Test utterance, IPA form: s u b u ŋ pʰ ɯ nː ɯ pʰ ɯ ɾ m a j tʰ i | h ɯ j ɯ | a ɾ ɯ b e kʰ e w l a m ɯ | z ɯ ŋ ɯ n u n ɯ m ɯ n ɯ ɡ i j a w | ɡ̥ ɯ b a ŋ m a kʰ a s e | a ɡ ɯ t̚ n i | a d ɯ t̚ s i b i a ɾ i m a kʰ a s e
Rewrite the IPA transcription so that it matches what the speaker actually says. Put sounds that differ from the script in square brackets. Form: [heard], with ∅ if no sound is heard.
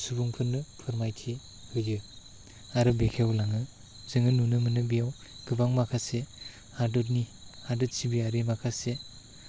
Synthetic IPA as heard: s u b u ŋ pʰ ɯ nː ɯ pʰ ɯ ɾ m a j tʰ i | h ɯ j ɯ | a ɾ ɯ b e kʰ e w l a [ŋ] ɯ | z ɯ ŋ ɯ n u n ɯ m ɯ n ɯ [b] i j a w | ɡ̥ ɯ b a ŋ m a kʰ a s e | a [d] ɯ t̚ n i | a d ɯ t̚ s i b i a ɾ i m a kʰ a s e